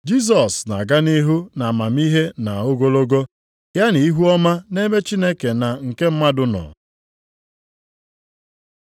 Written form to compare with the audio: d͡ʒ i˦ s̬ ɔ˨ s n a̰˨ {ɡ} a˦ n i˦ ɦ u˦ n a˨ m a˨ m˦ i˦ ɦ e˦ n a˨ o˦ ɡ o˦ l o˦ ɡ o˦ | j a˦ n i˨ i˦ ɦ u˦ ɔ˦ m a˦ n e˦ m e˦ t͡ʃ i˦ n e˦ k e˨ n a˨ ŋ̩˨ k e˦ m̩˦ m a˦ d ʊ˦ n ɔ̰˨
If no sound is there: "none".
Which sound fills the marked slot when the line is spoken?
ɡ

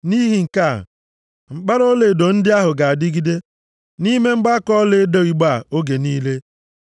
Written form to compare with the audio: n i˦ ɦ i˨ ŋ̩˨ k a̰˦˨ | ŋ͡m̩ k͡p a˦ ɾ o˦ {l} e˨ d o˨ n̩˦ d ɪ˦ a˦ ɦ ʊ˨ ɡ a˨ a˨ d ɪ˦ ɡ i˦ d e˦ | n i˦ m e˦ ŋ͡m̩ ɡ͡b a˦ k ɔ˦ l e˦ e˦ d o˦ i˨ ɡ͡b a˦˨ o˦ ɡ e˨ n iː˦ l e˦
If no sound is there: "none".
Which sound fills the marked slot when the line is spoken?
l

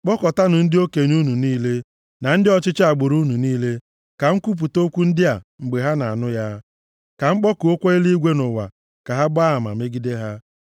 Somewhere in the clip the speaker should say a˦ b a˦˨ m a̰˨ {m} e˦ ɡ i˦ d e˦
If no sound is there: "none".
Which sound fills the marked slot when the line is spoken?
m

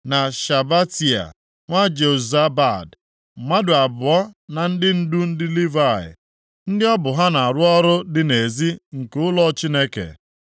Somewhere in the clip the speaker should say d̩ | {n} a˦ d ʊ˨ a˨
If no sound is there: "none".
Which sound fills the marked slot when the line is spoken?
m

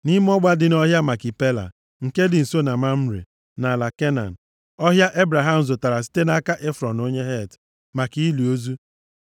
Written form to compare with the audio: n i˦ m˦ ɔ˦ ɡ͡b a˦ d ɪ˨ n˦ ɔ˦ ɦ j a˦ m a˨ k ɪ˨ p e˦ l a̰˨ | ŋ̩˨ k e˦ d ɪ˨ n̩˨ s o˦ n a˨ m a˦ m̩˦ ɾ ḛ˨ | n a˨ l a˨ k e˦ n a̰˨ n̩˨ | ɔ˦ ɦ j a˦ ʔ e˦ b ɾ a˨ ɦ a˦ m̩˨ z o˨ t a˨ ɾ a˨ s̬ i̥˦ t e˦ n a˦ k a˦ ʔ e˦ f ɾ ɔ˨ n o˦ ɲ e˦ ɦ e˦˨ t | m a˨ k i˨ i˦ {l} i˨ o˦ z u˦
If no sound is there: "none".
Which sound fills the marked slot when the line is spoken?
l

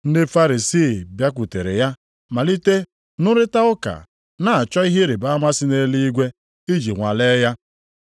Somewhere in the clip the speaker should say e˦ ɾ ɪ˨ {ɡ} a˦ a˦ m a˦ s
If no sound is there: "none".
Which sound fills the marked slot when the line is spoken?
b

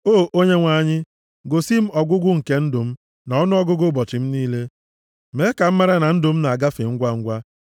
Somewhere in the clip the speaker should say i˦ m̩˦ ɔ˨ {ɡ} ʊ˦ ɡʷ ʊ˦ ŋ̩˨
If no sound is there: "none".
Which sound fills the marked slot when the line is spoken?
ɡ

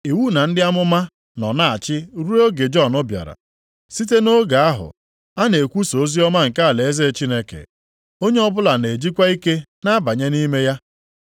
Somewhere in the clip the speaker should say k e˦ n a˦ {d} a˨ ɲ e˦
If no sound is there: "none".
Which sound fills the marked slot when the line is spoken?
b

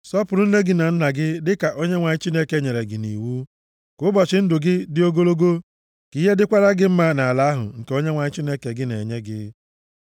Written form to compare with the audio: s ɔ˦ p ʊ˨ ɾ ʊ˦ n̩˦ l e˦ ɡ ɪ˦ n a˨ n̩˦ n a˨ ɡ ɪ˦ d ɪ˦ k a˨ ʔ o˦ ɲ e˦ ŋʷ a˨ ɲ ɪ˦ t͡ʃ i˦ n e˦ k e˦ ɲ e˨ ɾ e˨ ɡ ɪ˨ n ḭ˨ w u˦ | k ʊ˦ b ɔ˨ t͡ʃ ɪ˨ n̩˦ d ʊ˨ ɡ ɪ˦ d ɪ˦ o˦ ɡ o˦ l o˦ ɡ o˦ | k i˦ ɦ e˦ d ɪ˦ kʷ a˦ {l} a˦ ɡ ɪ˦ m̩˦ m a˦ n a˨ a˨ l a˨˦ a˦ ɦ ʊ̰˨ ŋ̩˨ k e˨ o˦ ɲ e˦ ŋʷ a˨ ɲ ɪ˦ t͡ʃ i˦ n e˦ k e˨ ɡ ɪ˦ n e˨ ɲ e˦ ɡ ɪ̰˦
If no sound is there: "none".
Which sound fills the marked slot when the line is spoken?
ɾ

